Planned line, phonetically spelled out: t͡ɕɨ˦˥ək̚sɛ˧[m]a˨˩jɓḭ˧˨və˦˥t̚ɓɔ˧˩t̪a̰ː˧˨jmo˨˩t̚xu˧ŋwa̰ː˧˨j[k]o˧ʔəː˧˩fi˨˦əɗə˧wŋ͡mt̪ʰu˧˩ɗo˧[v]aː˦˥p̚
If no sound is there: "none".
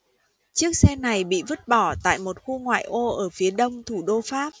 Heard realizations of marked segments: n, ʔ, f

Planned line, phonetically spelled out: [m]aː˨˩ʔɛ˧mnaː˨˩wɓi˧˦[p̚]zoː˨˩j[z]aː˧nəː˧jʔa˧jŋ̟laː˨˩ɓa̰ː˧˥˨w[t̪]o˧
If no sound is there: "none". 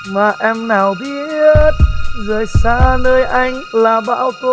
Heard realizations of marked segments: m, t̚, s, t̪

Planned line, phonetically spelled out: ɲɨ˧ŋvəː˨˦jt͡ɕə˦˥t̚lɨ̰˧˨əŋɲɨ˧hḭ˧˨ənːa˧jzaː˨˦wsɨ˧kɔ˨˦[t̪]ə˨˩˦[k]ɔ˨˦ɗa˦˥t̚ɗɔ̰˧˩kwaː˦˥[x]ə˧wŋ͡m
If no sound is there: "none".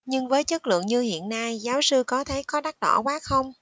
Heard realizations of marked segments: t̪ʰ, k, x

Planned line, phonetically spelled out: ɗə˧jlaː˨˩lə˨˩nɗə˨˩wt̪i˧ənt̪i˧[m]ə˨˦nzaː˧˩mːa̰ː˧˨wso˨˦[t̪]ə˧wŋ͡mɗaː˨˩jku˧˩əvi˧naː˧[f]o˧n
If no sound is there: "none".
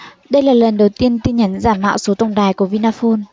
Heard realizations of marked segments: ɲ, t̪, f

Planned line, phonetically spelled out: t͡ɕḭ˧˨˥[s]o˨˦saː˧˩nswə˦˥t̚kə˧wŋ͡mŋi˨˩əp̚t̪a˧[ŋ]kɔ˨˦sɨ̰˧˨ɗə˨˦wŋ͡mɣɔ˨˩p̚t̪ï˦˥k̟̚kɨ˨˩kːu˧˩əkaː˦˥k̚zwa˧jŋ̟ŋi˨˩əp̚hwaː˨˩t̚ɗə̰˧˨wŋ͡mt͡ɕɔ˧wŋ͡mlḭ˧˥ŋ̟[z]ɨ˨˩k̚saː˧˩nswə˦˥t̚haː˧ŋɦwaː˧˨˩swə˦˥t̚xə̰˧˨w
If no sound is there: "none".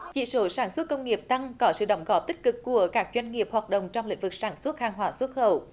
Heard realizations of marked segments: s, ŋ, v

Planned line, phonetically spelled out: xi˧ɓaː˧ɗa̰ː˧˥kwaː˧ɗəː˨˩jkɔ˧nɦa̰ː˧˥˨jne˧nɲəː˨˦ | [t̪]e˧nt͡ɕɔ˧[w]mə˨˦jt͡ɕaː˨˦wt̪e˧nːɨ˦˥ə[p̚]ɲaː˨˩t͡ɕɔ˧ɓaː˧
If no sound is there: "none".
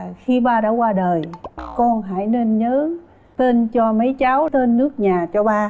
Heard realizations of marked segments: t̪, none, k̚

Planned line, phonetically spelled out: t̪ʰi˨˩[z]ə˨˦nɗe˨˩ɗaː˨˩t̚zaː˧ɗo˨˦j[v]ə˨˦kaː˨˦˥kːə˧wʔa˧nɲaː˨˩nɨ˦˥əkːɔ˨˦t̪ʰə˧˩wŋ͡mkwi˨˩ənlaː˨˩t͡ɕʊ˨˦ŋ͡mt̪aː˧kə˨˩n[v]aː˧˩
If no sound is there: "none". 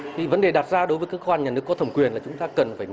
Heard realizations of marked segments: v, v, f

